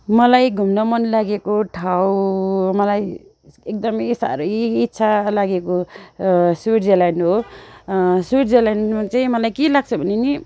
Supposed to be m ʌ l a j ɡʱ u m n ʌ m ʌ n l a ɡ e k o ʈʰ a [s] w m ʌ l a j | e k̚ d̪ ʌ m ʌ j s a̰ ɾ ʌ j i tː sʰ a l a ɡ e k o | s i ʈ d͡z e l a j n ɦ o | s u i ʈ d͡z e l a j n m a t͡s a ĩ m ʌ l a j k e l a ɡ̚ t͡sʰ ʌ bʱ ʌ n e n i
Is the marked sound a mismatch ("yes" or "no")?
yes